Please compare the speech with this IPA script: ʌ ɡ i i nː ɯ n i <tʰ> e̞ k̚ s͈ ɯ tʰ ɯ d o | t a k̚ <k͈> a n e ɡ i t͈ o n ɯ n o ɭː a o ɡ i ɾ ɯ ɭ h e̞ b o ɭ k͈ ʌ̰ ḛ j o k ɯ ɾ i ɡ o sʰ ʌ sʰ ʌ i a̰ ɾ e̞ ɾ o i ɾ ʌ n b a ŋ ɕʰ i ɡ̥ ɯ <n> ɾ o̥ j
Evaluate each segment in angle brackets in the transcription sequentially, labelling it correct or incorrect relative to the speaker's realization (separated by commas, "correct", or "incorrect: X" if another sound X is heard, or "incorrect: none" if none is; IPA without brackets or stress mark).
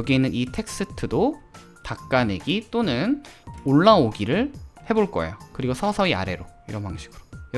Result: correct, correct, incorrect: none